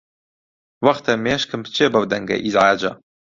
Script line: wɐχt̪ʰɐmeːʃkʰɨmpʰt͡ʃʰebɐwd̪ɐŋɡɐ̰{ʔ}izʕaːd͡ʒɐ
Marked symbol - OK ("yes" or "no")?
yes